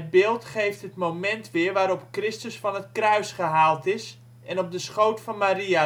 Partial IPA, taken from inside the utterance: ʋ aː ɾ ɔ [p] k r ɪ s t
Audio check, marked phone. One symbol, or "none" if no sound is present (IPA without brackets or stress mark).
p